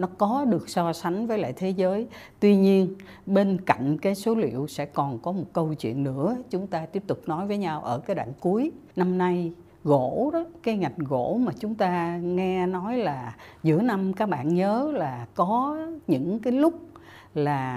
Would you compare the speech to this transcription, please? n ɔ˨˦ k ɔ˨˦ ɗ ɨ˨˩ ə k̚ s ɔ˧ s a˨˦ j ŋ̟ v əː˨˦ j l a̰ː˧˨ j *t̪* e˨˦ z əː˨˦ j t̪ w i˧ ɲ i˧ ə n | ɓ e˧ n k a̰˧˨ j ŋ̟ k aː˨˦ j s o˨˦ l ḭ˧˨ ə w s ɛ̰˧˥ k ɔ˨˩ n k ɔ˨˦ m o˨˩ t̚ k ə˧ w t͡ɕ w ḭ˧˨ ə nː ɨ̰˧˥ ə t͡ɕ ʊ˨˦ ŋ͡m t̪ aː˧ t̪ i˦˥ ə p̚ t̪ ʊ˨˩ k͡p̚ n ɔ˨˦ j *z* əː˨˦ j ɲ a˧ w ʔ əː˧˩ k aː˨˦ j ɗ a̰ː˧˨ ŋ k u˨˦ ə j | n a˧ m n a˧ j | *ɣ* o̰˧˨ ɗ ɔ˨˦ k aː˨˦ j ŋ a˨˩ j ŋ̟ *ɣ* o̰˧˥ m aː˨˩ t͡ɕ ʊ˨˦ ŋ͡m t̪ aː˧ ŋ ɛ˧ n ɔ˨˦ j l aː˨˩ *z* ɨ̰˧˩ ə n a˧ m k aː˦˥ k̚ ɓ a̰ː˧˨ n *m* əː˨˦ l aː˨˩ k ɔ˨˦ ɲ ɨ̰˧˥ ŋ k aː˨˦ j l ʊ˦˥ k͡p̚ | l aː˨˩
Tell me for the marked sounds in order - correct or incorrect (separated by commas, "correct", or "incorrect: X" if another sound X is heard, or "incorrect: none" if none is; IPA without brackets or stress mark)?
incorrect: t̪ʰ, incorrect: v, correct, correct, correct, incorrect: ɲ